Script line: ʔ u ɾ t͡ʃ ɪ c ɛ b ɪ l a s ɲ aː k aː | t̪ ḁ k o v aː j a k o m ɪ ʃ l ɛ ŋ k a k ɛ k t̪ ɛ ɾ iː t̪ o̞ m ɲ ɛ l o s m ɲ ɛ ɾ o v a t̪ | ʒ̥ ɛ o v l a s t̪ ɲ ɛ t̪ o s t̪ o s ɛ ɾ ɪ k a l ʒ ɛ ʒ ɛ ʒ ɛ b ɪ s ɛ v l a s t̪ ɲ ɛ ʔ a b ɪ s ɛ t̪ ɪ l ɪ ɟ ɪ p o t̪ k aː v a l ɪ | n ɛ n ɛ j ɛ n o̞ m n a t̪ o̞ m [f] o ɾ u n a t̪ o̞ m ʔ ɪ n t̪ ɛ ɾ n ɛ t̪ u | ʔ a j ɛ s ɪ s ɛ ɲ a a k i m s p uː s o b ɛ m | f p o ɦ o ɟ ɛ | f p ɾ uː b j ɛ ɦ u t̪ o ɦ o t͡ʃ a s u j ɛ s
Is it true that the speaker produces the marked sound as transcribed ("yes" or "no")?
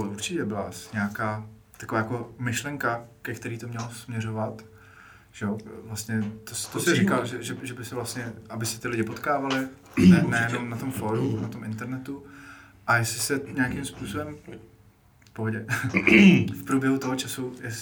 yes